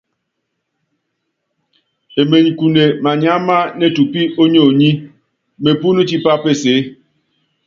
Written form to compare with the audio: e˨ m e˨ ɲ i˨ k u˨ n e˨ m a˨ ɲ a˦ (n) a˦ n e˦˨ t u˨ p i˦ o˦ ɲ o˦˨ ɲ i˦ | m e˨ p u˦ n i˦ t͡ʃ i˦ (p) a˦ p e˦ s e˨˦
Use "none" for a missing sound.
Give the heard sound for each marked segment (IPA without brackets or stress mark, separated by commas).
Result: m, p